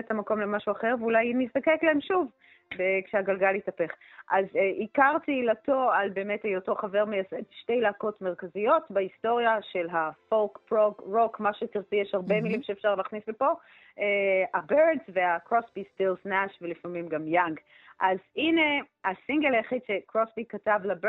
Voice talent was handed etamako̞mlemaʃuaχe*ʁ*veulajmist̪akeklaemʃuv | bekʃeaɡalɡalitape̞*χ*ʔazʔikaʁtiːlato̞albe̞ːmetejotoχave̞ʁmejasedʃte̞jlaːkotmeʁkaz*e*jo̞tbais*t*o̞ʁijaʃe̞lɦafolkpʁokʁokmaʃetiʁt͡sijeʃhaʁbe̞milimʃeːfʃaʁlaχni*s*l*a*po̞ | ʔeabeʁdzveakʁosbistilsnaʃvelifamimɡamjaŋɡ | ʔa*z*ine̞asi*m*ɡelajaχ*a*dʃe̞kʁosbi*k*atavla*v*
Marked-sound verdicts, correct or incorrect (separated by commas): correct, correct, incorrect, correct, correct, incorrect, correct, incorrect, incorrect, correct, incorrect